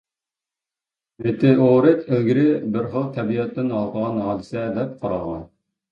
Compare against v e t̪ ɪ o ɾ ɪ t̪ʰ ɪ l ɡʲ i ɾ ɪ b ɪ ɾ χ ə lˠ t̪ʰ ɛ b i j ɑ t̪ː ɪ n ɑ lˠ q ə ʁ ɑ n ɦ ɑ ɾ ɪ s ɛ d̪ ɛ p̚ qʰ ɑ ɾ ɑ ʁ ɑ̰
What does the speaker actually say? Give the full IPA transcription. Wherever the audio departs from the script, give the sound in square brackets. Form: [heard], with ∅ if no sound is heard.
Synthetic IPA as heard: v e t̪ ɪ o ɾ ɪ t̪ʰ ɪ l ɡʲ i ɾ ɪ b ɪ ɾ χ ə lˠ t̪ʰ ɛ b i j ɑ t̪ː ɪ n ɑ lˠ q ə ʁ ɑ n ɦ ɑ [l] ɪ s ɛ d̪ ɛ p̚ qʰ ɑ ɾ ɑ ʁ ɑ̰